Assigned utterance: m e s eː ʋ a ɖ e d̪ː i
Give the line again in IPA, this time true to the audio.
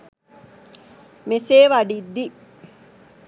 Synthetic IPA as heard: m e s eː ʋ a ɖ i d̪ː i